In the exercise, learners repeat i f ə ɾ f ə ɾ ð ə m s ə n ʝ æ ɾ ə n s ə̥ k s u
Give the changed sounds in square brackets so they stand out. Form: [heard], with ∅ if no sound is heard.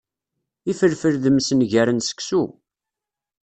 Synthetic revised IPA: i f ə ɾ f ə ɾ ð ə m s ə n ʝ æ ɾ ə n s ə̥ k s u